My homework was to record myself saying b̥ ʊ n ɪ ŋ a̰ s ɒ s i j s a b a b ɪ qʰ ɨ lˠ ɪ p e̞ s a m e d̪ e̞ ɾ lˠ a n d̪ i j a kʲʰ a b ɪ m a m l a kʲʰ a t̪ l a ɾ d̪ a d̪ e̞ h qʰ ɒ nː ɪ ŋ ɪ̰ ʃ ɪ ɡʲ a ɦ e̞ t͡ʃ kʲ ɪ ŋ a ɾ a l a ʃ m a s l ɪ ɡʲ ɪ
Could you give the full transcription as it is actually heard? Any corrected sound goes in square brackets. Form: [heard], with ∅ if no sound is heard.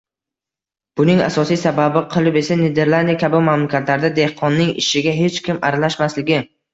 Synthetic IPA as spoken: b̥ ʊ n ɪ ŋ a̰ s ɒ s i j s a b a b ɪ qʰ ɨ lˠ ɪ p e̞ s a [n] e d̪ e̞ ɾ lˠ a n d̪ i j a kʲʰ a b ɪ m a m l a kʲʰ a t̪ l a ɾ d̪ a d̪ e̞ h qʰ ɒ nː ɪ ŋ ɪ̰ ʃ ɪ ɡʲ a ɦ e̞ t͡ʃ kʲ ɪ [m] a ɾ a l a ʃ m a s l ɪ ɡʲ ɪ

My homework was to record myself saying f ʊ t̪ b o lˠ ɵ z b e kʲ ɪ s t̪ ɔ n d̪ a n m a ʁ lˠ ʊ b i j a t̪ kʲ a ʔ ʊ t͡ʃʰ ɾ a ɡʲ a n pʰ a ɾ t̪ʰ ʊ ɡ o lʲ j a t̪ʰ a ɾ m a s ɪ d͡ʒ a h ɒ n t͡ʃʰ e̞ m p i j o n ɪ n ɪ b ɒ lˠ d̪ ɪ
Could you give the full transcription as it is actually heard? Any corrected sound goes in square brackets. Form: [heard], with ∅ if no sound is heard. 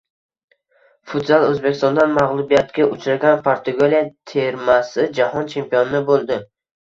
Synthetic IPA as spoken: f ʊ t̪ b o lˠ ɵ z b e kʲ ɪ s t̪ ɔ n d̪ a n m a ʁ lˠ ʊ b i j a t̪ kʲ a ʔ ʊ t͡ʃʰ ɾ a ɡʲ a n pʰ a ɾ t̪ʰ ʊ ɡ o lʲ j a t̪ʰ [e] ɾ m a s ɪ d͡ʒ a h ɒ n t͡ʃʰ e̞ m p i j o n ɪ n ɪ b [o] lˠ d̪ ɪ

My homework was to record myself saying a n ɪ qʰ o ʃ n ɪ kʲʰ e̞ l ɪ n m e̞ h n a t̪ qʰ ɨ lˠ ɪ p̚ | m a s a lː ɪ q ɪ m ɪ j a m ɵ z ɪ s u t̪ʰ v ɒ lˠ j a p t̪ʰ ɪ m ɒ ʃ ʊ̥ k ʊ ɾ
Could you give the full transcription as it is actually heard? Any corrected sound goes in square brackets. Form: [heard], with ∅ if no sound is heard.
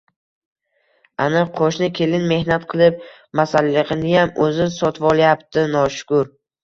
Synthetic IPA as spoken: a n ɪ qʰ o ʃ n ɪ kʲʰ e̞ l ɪ n m e̞ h n a t̪ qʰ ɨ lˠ ɪ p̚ | m a s a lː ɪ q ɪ [n] ɪ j a m ɵ z ɪ s [ɒ] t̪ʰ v ɒ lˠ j a p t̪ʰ ɪ [n] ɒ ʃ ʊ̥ k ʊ ɾ

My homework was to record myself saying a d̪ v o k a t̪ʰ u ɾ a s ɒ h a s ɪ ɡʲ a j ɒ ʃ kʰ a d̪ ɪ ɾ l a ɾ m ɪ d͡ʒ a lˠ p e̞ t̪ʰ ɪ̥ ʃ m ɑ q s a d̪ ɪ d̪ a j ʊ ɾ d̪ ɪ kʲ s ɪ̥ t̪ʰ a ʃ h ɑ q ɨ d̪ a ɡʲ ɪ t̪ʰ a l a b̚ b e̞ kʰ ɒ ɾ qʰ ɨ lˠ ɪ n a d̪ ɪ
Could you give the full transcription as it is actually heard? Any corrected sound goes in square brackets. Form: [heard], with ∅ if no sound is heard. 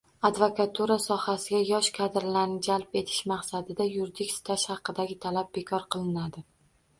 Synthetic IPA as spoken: a d̪ v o k a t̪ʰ u ɾ a s ɒ h a s ɪ ɡʲ a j ɒ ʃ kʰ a d̪ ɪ ɾ l a ɾ [n] ɪ d͡ʒ a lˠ p e̞ t̪ʰ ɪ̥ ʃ m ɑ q s a d̪ ɪ d̪ a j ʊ ɾ d̪ ɪ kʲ s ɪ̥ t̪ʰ a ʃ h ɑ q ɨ d̪ a ɡʲ ɪ t̪ʰ a l a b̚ b e̞ kʰ ɒ ɾ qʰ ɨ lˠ ɪ n a d̪ ɪ

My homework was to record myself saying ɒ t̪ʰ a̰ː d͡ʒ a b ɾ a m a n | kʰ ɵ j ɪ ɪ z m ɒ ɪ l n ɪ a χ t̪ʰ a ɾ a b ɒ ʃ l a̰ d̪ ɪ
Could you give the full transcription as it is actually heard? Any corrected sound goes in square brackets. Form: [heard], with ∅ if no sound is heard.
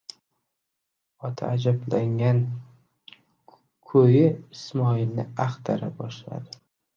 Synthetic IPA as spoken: ɒ t̪ʰ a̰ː d͡ʒ a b [l] a [ŋ] a n | kʰ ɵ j ɪ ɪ [s] m ɒ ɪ l n ɪ a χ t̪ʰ a ɾ a b ɒ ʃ l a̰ d̪ ɪ

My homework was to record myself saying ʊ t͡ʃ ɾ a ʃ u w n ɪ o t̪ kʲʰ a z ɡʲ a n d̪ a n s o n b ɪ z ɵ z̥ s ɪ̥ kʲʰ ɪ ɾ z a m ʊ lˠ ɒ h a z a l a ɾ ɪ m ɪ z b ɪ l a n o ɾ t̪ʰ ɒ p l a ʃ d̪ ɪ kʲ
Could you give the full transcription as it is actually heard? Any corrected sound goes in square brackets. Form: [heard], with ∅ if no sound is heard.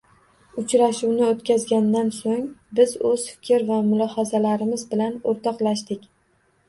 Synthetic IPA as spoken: ʊ t͡ʃ ɾ a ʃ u w n ɪ o t̪ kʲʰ a z ɡʲ a n d̪ a n s o [ŋ] b ɪ z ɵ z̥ [f] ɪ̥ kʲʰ ɪ ɾ [v] a m ʊ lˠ ɒ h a z a l a ɾ ɪ m ɪ z b ɪ l a n o ɾ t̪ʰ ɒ [q] l a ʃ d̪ ɪ kʲ

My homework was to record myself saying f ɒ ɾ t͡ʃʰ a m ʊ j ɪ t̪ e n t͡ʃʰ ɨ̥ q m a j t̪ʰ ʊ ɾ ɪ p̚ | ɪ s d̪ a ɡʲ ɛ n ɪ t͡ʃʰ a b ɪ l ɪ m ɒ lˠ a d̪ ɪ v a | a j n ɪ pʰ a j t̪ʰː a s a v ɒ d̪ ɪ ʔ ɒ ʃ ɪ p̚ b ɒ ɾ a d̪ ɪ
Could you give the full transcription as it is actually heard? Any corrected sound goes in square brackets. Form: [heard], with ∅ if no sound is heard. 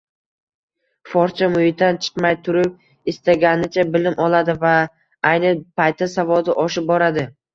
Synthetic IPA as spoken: f ɒ ɾ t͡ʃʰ a m ʊ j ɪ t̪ [a] n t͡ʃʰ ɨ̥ q m a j t̪ʰ ʊ ɾ ɪ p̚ | ɪ s [t̪] a ɡʲ [a] n ɪ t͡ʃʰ a b ɪ l ɪ m ɒ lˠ a d̪ ɪ v a | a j n ɪ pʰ a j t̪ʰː a s a v ɒ d̪ ɪ ʔ ɒ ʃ ɪ p̚ b ɒ ɾ a d̪ ɪ

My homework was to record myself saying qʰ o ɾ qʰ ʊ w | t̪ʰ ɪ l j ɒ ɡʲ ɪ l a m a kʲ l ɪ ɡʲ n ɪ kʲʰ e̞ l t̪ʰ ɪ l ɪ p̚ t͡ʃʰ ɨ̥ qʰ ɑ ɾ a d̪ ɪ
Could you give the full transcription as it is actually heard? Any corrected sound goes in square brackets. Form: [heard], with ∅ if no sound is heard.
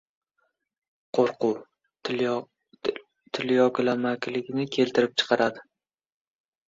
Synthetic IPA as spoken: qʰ o ɾ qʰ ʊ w | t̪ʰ ɪ l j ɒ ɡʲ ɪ l a m a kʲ l ɪ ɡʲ n ɪ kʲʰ e̞ l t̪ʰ ɪ [ɾ] ɪ p̚ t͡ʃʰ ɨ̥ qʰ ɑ ɾ a d̪ ɪ

